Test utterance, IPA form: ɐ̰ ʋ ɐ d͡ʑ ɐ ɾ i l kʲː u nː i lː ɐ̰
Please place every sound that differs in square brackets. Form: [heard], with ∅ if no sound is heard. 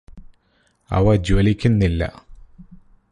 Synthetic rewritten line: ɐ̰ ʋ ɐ d͡ʑ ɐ [l] i [∅] kʲː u nː i lː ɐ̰